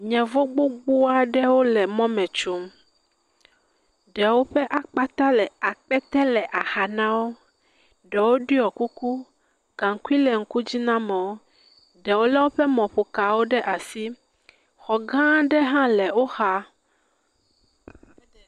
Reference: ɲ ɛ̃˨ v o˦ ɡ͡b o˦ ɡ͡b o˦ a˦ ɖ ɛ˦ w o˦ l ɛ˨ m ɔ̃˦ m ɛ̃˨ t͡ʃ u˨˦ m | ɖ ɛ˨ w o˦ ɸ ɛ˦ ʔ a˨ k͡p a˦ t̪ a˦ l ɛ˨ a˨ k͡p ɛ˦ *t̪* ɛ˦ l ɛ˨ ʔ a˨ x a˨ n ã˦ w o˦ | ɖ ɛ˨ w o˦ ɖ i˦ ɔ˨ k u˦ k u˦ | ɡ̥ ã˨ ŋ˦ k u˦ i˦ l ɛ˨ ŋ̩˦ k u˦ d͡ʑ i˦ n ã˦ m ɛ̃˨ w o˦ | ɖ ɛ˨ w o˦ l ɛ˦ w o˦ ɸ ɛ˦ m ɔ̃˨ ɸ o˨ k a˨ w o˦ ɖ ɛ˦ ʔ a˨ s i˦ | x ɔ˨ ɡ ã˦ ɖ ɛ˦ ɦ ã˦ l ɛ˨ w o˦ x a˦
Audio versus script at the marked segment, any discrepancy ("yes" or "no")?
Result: no